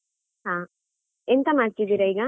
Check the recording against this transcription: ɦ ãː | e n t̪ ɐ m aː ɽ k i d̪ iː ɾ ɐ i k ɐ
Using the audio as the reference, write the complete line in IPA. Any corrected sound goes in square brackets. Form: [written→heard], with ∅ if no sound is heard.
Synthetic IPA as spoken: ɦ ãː | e n t̪ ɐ m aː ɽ k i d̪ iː ɾ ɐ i [k→ɡ] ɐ